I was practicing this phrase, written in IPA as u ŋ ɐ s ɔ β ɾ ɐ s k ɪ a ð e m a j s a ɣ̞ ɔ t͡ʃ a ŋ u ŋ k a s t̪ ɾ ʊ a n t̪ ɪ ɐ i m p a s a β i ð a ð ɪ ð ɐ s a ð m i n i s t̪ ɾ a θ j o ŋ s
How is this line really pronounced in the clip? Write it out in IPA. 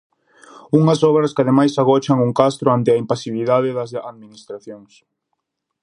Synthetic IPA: u ŋ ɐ s ɔ β ɾ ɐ s k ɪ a ð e m a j s a ɣ̞ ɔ t͡ʃ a ŋ u ŋ k a s t̪ ɾ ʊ a n t̪ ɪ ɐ i m p a s i β i ð a ð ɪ ð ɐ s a ð m i n i s t̪ ɾ a θ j o ŋ s